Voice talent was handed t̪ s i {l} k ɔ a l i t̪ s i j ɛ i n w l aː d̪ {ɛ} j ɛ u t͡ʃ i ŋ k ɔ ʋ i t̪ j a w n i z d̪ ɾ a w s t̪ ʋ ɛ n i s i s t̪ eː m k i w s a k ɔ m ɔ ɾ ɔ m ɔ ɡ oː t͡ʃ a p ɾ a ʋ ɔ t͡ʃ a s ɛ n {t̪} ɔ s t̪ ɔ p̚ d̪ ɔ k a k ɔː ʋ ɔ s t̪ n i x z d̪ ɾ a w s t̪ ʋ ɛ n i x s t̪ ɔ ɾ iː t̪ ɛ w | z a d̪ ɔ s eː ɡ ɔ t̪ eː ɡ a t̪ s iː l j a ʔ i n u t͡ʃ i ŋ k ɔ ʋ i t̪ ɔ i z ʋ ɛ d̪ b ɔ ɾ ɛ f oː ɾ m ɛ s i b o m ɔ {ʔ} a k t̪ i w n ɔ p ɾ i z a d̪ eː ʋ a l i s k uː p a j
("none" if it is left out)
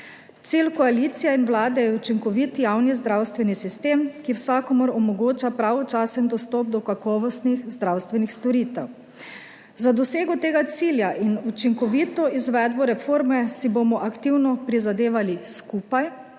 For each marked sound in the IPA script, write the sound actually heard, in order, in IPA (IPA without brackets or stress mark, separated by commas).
l, ɛ, d̪, ʔ